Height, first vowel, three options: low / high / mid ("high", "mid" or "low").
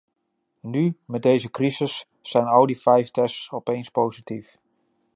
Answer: high